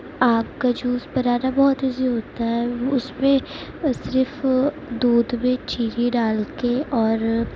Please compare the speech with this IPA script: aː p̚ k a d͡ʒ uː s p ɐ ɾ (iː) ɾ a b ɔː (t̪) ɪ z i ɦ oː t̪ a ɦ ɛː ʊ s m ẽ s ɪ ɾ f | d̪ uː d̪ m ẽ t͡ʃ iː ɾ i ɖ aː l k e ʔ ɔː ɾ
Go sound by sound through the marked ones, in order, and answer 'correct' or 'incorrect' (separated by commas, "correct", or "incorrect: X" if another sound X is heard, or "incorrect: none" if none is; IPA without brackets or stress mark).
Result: incorrect: aː, correct